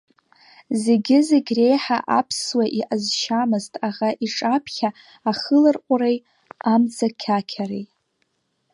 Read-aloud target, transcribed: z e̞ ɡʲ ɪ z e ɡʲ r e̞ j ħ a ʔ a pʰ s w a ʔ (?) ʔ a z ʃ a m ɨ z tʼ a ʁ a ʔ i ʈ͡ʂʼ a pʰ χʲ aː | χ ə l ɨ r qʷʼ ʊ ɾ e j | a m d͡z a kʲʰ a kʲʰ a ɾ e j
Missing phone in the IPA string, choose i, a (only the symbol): i